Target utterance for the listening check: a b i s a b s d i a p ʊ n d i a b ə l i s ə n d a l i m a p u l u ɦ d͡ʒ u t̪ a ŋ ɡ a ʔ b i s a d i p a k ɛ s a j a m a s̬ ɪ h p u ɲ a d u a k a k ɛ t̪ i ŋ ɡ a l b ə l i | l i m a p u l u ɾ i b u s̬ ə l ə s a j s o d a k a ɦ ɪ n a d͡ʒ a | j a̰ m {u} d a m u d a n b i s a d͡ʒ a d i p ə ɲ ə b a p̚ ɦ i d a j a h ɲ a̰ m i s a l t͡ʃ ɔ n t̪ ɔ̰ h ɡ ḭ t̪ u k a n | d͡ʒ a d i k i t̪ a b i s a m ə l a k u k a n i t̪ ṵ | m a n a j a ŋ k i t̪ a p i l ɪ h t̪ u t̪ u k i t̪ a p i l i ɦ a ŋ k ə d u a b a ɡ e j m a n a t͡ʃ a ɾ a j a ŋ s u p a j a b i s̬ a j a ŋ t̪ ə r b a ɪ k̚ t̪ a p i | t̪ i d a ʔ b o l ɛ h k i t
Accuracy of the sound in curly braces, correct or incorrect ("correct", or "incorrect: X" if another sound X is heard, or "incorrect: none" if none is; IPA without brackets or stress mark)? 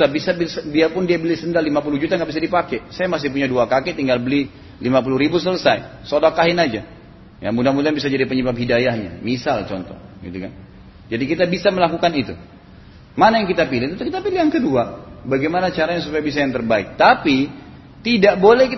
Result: correct